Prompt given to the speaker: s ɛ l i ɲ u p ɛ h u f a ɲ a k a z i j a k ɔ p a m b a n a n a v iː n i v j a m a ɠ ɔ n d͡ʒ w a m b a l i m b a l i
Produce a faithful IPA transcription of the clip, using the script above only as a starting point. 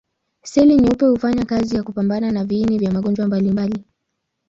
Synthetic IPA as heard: s ɛ l i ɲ u p ɛ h u f a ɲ a k a z i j a k u p a m b a n a n a v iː n i v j a m a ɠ ɔ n d͡ʒ w a m b a l i m b a l i